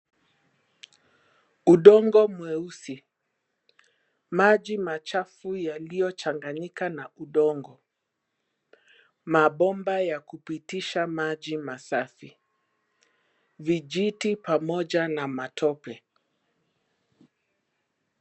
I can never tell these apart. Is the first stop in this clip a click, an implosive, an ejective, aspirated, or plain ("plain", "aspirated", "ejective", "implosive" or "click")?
implosive